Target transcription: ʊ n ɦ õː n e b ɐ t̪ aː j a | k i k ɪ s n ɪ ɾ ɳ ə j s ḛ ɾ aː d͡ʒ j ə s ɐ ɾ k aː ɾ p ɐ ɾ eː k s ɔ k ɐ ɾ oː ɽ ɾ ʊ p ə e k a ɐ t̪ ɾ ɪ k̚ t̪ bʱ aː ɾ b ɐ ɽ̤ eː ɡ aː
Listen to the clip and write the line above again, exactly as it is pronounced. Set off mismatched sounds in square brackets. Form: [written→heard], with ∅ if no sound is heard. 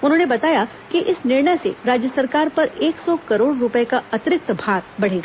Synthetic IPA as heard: ʊ n ɦ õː n e b ɐ t̪ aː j a | k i [k→ʔ] ɪ s n ɪ ɾ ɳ ə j s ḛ ɾ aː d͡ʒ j ə s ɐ ɾ k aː ɾ p ɐ ɾ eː k s ɔ k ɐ ɾ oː ɽ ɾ ʊ p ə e k a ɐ t̪ ɾ ɪ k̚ t̪ bʱ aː ɾ b ɐ ɽ̤ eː ɡ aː